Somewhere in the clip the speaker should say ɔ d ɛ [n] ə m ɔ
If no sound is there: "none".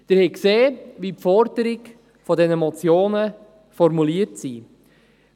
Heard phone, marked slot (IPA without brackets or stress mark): n